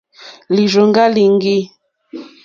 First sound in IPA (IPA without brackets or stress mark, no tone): l